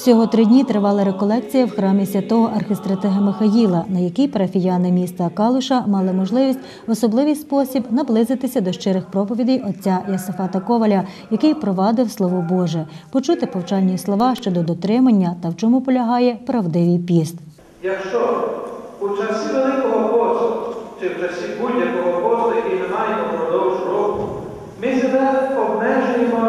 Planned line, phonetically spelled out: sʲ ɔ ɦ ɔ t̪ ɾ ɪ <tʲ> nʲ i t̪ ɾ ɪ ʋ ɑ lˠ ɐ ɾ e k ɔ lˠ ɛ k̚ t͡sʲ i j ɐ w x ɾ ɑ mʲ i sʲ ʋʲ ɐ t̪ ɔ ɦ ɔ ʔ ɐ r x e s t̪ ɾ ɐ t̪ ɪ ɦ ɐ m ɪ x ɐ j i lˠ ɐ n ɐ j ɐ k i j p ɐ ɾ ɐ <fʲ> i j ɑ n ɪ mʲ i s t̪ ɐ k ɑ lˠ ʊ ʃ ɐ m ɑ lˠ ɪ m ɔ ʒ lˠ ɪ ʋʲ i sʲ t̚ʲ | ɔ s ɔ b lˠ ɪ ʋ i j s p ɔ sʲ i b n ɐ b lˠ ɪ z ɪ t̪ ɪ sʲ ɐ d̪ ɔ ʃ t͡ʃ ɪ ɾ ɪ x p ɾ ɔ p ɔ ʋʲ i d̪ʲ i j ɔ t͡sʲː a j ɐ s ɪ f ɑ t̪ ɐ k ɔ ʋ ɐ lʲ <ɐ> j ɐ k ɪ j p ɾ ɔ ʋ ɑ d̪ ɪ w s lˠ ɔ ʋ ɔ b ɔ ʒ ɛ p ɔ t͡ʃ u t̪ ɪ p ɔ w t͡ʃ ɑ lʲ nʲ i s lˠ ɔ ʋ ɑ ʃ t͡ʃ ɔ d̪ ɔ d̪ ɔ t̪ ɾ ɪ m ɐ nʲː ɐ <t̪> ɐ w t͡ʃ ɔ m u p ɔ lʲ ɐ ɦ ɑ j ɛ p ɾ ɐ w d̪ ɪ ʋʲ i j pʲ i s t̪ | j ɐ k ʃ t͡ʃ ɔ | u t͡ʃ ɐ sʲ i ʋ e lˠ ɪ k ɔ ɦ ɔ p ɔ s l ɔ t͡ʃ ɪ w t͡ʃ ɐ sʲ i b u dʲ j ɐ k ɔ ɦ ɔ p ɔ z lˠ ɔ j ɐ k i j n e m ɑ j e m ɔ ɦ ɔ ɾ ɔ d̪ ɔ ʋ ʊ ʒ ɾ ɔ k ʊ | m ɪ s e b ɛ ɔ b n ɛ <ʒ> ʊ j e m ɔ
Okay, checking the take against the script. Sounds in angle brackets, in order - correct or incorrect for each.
incorrect: dʲ, correct, correct, correct, correct

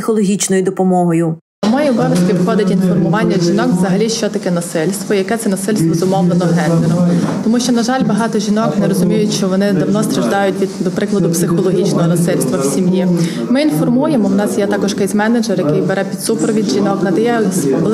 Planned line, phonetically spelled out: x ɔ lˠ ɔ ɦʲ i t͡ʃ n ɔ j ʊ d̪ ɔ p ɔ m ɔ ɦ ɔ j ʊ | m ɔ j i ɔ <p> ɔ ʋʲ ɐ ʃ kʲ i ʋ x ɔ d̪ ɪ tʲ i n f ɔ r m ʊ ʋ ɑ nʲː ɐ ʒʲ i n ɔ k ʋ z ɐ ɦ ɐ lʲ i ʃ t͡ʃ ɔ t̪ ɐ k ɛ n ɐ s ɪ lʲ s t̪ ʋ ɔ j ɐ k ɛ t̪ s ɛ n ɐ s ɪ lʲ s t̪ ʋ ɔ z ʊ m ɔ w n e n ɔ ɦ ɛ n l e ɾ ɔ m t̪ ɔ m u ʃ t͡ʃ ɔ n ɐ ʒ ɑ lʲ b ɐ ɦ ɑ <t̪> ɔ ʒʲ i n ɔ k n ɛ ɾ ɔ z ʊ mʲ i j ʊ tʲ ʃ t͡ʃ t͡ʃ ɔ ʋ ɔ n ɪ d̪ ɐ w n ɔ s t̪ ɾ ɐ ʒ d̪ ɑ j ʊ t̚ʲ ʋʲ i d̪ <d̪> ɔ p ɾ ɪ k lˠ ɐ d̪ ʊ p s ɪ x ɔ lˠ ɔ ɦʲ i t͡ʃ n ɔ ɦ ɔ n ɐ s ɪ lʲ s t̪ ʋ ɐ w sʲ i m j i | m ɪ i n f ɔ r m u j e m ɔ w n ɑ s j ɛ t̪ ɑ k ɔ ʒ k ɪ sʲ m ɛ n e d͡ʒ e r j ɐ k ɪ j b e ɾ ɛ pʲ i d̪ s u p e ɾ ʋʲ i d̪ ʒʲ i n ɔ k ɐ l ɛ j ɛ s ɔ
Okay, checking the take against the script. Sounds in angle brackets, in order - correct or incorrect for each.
incorrect: b, correct, correct

